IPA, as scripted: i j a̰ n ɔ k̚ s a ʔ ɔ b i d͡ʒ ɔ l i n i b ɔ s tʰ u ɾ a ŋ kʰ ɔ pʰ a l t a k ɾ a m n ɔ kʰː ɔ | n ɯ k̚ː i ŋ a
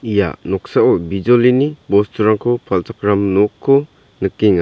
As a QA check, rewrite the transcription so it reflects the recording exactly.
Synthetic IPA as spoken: i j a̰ n ɔ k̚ s a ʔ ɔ b i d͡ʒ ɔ l i n i b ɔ s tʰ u ɾ a ŋ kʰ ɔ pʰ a l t a k ɾ a m n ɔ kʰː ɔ | n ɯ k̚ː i ŋ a